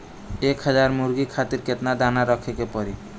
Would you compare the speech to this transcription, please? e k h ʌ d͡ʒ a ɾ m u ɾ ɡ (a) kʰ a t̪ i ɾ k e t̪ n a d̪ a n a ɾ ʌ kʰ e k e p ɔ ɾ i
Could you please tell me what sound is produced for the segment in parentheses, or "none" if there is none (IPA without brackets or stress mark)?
i